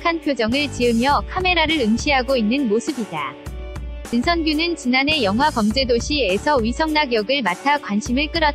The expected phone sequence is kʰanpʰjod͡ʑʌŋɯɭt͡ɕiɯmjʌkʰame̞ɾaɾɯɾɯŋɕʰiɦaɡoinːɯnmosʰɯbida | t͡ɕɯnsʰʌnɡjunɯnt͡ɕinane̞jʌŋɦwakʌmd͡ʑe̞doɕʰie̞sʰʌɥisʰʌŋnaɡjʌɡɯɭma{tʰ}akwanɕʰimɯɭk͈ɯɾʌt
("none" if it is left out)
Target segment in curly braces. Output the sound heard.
tʰ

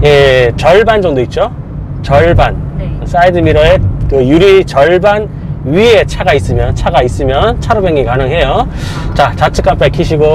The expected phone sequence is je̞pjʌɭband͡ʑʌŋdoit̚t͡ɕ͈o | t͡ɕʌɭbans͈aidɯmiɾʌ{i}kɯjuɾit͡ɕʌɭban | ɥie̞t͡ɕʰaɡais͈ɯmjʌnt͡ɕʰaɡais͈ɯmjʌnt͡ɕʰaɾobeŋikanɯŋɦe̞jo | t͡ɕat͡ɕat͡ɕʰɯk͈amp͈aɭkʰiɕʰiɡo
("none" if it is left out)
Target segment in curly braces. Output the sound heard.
e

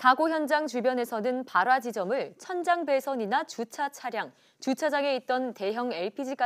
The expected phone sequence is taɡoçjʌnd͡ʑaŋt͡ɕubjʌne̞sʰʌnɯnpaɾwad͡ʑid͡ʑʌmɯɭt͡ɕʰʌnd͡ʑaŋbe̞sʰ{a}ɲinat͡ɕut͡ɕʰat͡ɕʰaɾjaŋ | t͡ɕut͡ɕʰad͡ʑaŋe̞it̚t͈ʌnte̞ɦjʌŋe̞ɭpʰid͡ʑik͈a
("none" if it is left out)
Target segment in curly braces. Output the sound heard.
ʌ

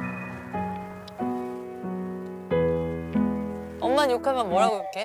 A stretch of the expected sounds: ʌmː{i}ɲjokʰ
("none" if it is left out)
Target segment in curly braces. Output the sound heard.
a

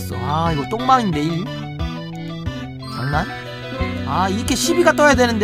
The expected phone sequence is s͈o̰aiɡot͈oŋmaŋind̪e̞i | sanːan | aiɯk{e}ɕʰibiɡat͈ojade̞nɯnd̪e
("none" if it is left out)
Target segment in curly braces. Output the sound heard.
e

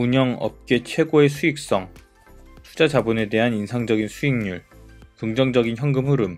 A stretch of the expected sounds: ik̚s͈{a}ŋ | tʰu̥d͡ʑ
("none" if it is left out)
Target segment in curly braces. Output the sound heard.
ʌ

